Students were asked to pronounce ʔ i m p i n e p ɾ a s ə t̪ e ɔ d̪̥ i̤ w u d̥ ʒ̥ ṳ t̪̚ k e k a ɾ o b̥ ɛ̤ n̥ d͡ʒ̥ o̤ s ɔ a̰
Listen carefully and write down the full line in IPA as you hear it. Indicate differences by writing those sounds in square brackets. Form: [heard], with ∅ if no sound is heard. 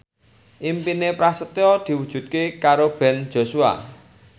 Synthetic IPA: ʔ i m p i n e p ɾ a s ə t̪ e ɔ d̪̥ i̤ w u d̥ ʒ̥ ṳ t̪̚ k e k a ɾ o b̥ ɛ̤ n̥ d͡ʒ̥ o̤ s [u] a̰